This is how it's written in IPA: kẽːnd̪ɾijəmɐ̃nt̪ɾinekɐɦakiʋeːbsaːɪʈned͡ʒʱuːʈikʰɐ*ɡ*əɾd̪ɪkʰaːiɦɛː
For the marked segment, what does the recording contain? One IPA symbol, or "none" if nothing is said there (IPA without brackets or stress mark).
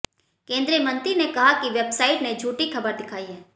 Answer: b